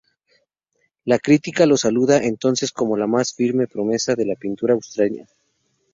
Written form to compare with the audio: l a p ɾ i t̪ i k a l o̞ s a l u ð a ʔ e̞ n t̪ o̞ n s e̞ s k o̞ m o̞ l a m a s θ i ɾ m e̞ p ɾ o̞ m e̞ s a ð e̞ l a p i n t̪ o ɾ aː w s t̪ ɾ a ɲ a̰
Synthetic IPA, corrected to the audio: l a k ɾ i t̪ i k a l o̞ s a l u ð a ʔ e̞ n t̪ o̞ n s e̞ s k o̞ m o̞ l a m a s f i ɾ m e̞ p ɾ o̞ m e̞ s a ð e̞ l a p i n t̪ u ɾ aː w s t̪ ɾ a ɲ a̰